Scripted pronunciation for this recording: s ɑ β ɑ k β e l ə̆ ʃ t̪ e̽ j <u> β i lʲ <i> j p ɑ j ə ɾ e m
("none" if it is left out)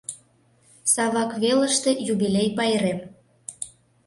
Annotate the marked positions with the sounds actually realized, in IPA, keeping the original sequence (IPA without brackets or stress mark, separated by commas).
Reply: u, e